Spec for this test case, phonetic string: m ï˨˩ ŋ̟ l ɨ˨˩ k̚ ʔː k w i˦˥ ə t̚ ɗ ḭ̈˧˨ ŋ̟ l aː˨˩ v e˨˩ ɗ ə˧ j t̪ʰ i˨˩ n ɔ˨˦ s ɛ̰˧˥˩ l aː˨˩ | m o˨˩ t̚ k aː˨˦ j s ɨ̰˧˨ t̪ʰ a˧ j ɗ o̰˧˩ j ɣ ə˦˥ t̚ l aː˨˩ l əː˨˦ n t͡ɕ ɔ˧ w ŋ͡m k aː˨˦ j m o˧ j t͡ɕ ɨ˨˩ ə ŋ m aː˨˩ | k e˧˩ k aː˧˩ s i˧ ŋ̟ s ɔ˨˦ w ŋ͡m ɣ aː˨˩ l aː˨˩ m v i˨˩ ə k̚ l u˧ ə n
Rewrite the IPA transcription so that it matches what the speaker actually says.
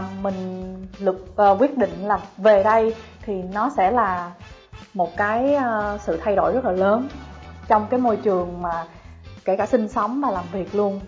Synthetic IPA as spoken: m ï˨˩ ŋ̟ l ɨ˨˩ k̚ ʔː k w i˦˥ ə t̚ ɗ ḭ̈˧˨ ŋ̟ l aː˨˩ v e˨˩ ɗ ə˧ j t̪ʰ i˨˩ n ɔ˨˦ s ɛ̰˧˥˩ l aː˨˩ | m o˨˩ t̚ k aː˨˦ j s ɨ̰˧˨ t̪ʰ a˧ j ɗ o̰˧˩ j z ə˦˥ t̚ l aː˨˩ l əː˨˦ n t͡ɕ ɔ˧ w ŋ͡m k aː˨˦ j m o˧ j t͡ɕ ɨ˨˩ ə ŋ m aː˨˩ | k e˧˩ k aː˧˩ s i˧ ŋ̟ s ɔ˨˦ w ŋ͡m v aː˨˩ l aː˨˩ m v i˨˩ ə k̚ l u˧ ə n